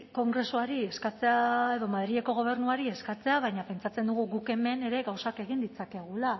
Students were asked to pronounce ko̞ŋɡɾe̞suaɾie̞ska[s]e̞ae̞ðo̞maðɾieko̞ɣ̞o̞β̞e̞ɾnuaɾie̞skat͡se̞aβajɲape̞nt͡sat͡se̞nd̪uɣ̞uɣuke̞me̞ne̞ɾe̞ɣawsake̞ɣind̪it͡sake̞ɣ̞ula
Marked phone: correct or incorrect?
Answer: incorrect: t͡s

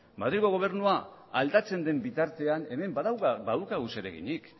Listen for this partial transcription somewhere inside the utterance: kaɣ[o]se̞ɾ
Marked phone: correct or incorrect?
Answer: incorrect: u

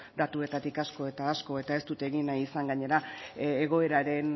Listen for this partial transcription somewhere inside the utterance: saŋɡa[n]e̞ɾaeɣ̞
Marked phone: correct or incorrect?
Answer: incorrect: ɲ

